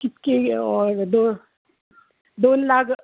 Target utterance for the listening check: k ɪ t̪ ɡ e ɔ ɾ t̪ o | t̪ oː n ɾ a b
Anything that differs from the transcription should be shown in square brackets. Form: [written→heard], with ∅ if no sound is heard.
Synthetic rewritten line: k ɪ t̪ [ɡ→k] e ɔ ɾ [t̪→d̪] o | [t̪→d̪] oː n [ɾ→l] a [b→ɡ]